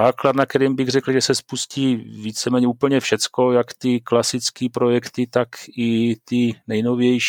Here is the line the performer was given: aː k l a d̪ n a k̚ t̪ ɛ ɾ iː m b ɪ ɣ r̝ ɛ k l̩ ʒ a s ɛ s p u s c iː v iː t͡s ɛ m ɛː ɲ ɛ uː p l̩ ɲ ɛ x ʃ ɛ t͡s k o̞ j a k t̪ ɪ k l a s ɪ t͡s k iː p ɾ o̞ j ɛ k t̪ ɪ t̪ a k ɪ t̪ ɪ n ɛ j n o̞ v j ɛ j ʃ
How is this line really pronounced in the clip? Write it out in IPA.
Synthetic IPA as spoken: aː k l a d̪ n a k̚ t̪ ɛ ɾ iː m b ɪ ɣ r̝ ɛ k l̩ ʒ ɛ s ɛ s p u s c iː v iː t͡s ɛ m ɛː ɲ ɛ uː p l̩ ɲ ɛ f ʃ ɛ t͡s k o̞ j a k t̪ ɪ k l a s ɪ t͡s k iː p ɾ o̞ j ɛ k t̪ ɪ t̪ a k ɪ t̪ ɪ n ɛ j n o̞ v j ɛ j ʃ